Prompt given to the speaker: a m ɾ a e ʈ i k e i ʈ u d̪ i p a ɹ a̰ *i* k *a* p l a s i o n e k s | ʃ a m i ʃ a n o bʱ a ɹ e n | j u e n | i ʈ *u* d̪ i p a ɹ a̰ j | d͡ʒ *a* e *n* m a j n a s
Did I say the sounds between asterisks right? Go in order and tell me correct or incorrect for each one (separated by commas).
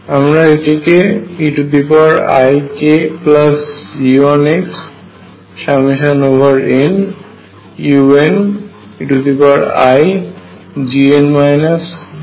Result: incorrect, incorrect, correct, incorrect, correct